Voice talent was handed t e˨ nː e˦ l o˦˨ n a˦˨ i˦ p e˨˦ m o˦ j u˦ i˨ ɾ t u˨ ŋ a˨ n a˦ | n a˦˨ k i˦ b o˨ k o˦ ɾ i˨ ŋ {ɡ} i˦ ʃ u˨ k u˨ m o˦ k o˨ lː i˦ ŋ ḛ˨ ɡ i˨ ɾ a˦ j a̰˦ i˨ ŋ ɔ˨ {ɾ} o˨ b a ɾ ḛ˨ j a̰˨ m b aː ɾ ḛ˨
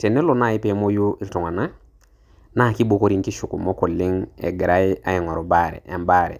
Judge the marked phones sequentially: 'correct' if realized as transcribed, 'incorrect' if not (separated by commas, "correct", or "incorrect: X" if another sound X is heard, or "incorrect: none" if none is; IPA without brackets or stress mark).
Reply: incorrect: k, correct